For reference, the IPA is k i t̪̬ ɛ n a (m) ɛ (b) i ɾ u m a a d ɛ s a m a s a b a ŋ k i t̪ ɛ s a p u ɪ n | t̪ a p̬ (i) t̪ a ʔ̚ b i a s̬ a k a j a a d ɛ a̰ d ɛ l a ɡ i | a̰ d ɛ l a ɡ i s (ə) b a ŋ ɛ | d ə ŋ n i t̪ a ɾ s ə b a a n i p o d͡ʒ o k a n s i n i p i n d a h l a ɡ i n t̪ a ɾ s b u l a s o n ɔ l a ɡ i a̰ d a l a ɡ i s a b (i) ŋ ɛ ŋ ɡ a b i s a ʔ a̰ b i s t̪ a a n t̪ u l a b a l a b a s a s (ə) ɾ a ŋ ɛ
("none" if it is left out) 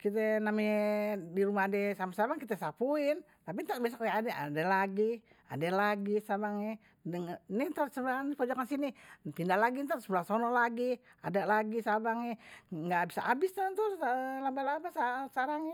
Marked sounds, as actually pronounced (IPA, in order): m, d, i, a, a, a

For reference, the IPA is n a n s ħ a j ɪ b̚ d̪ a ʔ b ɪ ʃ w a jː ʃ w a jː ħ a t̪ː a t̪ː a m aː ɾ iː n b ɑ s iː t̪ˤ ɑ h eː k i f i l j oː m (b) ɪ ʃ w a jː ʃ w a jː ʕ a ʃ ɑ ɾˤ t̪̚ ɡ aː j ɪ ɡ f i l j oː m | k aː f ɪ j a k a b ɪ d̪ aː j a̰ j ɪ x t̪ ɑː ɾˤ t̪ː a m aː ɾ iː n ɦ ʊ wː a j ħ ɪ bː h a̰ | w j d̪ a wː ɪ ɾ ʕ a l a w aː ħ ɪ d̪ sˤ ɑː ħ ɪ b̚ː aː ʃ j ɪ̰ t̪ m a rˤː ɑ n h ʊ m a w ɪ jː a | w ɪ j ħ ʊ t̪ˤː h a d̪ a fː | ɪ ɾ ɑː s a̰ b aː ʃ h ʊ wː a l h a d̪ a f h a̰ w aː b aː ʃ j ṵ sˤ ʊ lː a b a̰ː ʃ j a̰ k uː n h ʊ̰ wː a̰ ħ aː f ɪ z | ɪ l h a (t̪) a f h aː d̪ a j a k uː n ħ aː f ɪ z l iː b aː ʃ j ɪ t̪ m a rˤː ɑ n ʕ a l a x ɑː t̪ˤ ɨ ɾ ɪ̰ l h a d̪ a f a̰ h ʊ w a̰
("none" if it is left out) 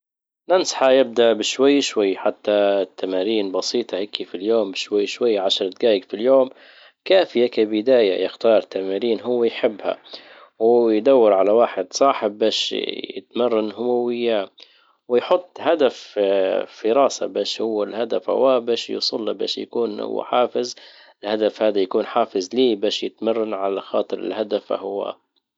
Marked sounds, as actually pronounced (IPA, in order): b, d̪

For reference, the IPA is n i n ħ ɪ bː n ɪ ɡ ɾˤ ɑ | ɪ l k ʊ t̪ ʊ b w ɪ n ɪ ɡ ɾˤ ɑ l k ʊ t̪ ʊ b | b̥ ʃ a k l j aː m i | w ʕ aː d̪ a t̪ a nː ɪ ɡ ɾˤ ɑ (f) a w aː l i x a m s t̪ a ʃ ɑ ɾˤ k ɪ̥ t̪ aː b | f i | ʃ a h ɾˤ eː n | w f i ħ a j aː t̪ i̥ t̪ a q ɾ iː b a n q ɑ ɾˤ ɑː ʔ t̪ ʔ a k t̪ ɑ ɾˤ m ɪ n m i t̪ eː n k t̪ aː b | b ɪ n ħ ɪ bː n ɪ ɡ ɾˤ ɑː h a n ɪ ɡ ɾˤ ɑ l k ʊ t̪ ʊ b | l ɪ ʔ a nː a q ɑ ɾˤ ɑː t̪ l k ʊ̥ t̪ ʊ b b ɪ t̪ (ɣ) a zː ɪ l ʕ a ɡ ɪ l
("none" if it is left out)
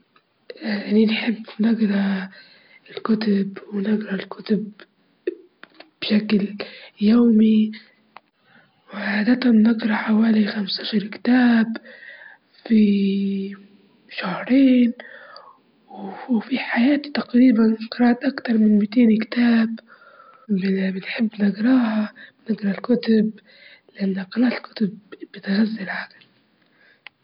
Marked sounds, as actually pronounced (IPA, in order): ħ, ɣ

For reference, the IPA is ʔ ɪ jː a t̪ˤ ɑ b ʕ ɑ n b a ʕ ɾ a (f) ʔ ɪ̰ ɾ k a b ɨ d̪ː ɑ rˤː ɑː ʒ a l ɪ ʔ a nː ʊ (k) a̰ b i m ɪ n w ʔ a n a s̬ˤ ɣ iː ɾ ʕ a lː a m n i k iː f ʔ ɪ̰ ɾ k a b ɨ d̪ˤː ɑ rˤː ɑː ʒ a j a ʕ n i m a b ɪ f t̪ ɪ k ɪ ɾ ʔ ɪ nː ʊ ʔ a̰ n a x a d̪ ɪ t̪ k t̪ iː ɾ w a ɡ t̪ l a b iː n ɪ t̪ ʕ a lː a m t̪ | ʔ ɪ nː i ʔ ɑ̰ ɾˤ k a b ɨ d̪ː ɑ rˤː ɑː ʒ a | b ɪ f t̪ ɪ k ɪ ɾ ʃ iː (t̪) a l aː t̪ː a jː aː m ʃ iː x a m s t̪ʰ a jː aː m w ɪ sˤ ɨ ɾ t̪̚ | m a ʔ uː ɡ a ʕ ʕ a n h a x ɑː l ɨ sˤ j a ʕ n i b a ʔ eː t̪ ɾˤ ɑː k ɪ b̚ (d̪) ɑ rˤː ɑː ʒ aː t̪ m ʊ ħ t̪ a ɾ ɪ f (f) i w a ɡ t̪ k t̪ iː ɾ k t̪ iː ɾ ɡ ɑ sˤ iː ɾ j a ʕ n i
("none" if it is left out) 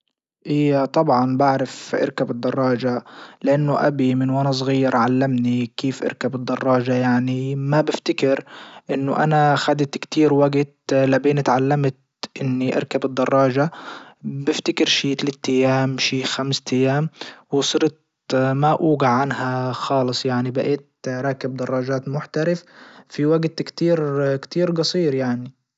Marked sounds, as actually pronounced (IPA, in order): f, ʔ, t̪, d̪, f

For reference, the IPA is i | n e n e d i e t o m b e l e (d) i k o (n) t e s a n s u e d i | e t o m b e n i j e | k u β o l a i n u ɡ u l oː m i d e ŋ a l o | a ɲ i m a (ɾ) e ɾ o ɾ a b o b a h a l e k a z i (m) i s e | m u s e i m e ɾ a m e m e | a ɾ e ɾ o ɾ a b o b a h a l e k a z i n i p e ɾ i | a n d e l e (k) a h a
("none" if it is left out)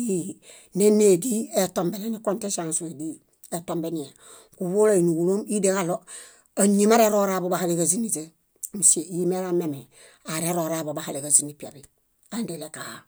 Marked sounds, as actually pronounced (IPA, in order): n, n, ɾ, n, k

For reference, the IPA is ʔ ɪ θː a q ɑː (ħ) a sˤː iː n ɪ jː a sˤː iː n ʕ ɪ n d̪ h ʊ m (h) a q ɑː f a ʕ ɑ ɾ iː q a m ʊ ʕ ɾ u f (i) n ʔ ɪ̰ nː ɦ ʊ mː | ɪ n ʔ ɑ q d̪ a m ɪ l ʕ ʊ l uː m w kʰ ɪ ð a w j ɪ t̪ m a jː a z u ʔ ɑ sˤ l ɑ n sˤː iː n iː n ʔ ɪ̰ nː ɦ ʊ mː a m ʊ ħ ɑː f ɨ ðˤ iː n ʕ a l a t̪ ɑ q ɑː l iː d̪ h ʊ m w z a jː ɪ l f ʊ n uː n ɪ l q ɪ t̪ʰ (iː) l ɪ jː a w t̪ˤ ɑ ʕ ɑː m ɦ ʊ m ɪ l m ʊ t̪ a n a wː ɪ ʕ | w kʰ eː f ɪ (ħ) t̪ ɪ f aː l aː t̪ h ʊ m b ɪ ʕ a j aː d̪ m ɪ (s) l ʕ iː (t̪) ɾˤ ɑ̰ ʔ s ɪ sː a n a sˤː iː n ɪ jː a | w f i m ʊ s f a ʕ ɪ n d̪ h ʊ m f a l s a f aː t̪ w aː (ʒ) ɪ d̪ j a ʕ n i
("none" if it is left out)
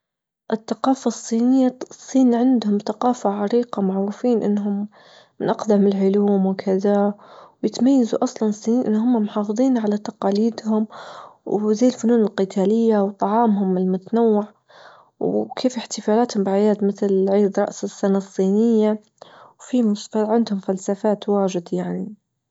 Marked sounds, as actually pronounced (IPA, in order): f, θ, iː, aː, ħ, θ, d̪, ʒ

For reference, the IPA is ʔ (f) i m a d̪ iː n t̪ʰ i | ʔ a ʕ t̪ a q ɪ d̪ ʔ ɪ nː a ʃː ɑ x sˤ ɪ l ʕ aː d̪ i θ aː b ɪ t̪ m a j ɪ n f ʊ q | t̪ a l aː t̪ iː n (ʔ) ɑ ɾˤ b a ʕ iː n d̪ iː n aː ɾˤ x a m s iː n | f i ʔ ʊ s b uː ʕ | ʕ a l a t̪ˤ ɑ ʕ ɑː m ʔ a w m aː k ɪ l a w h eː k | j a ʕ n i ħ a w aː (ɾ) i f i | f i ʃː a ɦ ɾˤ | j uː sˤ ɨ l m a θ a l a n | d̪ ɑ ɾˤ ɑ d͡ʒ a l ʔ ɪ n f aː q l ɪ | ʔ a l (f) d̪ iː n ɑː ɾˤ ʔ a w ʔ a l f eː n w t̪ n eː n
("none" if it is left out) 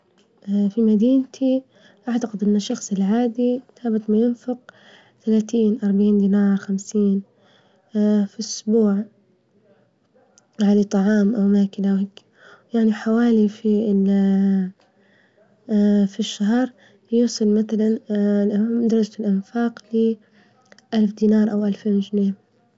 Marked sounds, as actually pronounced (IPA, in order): f, ʔ, l, f

